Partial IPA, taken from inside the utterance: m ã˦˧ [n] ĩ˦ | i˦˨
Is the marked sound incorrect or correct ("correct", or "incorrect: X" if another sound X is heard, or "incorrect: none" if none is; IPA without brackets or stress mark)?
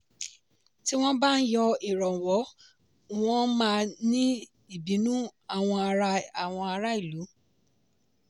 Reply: correct